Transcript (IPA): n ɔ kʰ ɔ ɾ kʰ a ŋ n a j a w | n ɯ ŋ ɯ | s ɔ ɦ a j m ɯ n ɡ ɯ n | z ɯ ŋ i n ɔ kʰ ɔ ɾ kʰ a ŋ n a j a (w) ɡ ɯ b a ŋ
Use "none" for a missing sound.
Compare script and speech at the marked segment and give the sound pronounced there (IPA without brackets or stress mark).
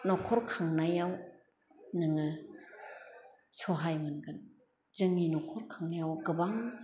w